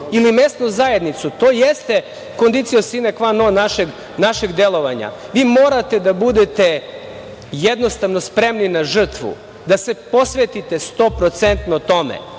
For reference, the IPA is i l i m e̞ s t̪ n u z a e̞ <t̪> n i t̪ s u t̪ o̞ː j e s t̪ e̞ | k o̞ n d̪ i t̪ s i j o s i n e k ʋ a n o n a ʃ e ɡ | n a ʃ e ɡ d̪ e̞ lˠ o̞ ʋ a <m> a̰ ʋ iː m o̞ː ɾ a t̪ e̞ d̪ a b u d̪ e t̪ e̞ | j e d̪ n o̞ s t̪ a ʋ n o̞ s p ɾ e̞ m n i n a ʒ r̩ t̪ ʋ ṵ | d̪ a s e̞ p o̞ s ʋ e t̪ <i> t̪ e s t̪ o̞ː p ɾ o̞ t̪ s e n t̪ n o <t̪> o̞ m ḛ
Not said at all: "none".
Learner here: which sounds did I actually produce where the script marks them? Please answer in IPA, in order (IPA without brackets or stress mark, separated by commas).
d̪, ɲ, i, t̪